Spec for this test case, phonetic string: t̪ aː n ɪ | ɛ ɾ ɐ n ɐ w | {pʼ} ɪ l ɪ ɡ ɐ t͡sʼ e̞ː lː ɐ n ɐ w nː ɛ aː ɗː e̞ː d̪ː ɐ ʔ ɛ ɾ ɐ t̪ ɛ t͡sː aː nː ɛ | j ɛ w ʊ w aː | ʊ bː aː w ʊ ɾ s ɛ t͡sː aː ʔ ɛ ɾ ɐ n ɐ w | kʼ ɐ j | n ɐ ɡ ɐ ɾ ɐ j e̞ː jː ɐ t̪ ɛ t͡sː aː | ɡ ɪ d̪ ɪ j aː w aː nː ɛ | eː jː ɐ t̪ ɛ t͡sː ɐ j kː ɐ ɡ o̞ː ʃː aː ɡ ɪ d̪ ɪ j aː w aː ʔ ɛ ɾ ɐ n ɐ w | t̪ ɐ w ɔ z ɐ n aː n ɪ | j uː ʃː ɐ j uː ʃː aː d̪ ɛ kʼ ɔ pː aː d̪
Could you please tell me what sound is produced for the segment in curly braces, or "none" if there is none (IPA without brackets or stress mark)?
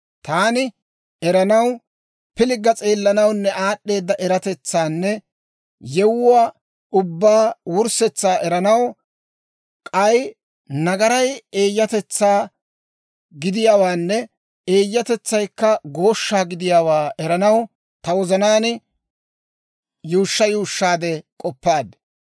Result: p